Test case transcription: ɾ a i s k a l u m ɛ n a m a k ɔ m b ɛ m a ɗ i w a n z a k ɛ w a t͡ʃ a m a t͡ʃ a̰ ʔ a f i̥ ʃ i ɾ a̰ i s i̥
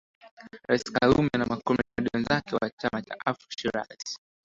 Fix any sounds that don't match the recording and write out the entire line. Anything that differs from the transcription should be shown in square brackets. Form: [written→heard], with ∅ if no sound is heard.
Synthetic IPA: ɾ a i s k a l u m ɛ n a m a k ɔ m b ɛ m a ɗ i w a n z a k ɛ w a t͡ʃ a m a t͡ʃ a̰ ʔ a f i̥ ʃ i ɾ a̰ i s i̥